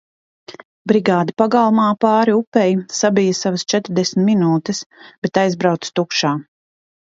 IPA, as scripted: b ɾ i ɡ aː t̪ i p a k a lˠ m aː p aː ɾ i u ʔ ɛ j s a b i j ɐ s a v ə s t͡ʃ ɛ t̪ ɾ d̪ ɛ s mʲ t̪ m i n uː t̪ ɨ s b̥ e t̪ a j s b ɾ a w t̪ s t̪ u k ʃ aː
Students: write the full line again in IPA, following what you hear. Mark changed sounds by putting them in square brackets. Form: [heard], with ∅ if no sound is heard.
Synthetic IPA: b ɾ i ɡ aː [d̪] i p a [ɡ] a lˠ m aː p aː ɾ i u [p] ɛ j s a b i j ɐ s a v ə s t͡ʃ ɛ t̪ ɾ d̪ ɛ s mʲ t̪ m i n uː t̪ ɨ s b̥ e t̪ a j [z] b ɾ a w t̪ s t̪ u k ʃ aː

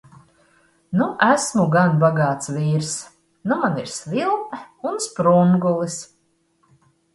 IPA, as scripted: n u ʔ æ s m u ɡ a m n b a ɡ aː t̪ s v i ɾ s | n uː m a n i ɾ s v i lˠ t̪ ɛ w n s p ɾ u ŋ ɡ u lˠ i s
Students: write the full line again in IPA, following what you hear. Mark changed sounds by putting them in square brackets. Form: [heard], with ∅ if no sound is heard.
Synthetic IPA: n u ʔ æ s m u ɡ a [∅] n b a ɡ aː t̪ s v [iː] ɾ s | n [u] m a n i ɾ s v i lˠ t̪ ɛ [u] n s p ɾ u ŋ ɡ u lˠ i s

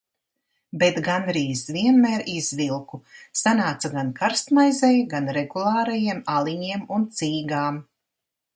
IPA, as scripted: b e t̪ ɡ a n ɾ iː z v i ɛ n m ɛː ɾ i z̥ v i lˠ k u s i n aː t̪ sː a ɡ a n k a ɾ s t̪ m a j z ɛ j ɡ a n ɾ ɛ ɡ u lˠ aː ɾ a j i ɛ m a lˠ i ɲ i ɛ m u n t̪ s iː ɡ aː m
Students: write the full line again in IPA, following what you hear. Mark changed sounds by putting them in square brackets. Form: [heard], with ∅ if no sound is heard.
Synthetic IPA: b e t̪ ɡ a n ɾ iː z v i ɛ n m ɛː ɾ i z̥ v i lˠ k u s [a] n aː t̪ [s] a ɡ a n k a ɾ s t̪ m a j z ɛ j ɡ a n ɾ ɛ ɡ u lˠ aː ɾ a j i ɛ m a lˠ i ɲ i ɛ m u n t̪ s iː ɡ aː m

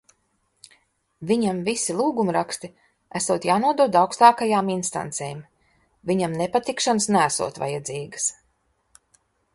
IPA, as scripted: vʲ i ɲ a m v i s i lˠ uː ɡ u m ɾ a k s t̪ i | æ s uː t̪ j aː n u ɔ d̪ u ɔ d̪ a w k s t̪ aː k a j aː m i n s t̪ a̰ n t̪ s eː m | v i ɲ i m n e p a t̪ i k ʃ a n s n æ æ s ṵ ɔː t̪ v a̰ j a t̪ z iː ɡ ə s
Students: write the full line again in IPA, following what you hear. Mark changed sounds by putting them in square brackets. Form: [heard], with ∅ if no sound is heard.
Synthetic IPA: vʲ i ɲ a m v i s i lˠ uː ɡ u m ɾ a k s t̪ i | æ s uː t̪ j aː n u ɔ d̪ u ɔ d̪ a w k s t̪ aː k a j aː m i n s t̪ a̰ n t̪ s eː m | v i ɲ [a] m n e p a t̪ i k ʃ a n s n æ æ s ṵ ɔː t̪ v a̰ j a [d̪] z iː ɡ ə s

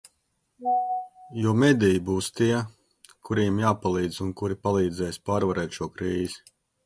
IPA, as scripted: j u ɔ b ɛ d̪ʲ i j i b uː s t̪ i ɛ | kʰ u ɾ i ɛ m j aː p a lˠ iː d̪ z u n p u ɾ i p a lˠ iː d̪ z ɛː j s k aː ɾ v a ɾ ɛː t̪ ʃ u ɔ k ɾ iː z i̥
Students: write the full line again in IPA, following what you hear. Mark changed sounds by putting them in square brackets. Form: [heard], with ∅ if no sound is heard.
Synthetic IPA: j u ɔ [m] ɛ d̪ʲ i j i b uː s t̪ i ɛ | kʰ u ɾ i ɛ m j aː p a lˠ iː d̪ z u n [k] u ɾ i p a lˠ iː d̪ z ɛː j s [p] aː ɾ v a ɾ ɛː t̪ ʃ u ɔ k ɾ iː z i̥

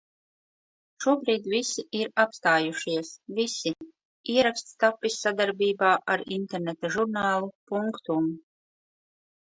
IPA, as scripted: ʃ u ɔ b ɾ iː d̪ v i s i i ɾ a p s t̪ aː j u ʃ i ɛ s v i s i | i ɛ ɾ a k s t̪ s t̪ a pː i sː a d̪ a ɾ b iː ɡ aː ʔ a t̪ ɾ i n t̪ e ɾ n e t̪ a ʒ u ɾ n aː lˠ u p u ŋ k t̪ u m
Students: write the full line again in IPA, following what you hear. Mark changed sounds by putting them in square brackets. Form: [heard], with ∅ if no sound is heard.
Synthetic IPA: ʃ u ɔ b ɾ iː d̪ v i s i i ɾ a p s t̪ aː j u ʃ i ɛ s v i s i | i ɛ ɾ a k s t̪ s t̪ a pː i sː a d̪ a ɾ b iː [b] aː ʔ a [∅] ɾ i n t̪ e ɾ n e t̪ a ʒ u ɾ n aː lˠ u p u ŋ k t̪ u m

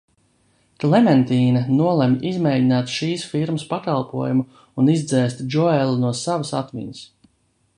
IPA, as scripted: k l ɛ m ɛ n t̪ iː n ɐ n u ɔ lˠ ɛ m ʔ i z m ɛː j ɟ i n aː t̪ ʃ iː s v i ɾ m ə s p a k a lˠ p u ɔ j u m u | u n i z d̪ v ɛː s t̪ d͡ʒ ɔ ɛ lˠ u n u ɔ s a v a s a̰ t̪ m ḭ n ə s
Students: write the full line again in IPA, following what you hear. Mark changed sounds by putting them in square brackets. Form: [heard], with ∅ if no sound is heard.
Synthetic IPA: k l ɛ m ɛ n t̪ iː n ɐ n u ɔ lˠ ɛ m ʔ i z m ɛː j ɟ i n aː t̪ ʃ iː s [f] i ɾ m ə s p a k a lˠ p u ɔ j u m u | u n i z d̪ [z] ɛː s t̪ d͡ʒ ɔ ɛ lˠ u n u ɔ s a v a s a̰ t̪ m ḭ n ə s

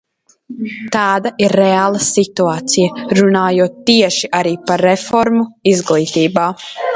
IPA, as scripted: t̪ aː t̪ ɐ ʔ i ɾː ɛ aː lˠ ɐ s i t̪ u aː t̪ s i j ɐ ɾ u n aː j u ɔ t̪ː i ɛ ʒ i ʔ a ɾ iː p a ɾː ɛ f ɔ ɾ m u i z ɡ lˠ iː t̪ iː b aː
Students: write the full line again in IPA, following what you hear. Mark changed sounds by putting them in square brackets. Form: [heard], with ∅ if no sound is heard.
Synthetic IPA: t̪ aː [d̪] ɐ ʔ i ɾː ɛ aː lˠ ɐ s i t̪ u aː t̪ s i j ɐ ɾ u n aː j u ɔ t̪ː i ɛ [ʃ] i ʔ a ɾ iː p a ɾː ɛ f ɔ ɾ m u i z ɡ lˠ iː t̪ iː b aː

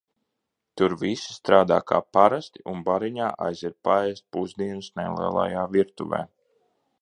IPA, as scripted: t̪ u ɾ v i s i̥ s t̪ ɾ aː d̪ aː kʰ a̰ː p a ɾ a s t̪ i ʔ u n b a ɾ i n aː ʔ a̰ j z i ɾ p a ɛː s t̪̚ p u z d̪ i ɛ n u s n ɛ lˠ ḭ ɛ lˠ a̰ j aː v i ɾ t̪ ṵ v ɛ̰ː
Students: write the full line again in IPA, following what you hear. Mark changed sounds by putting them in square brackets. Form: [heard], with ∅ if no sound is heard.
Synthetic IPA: t̪ u ɾ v i s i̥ s t̪ ɾ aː d̪ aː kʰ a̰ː p a ɾ a s t̪ i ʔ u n b a ɾ i [ɲ] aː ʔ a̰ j z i ɾ p a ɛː s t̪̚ p u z d̪ i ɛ n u s n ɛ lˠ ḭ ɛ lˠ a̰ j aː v i ɾ t̪ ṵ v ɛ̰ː

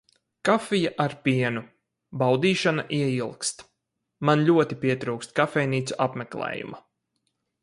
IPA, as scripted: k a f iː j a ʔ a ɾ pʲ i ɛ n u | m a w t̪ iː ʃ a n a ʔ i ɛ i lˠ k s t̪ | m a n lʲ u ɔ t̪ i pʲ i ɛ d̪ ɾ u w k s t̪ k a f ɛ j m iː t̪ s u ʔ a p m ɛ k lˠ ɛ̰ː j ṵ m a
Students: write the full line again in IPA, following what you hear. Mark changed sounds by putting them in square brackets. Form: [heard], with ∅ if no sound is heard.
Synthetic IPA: k a f [i] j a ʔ a ɾ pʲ i ɛ n u | [b] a w [d̪] iː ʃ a n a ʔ i ɛ i lˠ k s t̪ | m a n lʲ u ɔ t̪ i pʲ i ɛ [t̪] ɾ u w k s t̪ k a f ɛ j [n] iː t̪ s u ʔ a p m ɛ k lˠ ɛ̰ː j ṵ m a

